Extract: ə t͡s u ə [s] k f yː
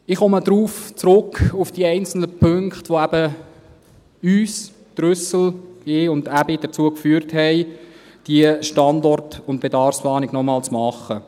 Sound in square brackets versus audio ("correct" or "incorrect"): incorrect